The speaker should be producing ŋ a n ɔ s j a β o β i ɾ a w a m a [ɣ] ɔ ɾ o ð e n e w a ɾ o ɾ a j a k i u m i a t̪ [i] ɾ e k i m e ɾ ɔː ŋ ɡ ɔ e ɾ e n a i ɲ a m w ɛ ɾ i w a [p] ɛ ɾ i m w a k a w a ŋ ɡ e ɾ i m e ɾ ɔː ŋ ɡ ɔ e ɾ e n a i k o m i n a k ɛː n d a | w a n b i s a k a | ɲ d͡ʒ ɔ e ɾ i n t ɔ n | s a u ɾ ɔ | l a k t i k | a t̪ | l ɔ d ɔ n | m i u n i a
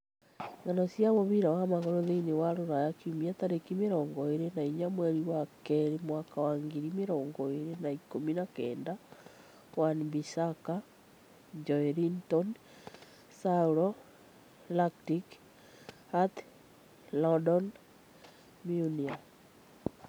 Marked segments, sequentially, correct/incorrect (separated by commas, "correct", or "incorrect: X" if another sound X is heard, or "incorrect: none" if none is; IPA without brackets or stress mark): correct, incorrect: a, incorrect: k